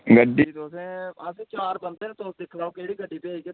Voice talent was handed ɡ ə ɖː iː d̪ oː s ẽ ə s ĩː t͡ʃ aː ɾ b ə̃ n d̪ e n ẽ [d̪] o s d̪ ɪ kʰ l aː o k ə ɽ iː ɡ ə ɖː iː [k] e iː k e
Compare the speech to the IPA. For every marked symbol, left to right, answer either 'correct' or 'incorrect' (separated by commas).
incorrect, incorrect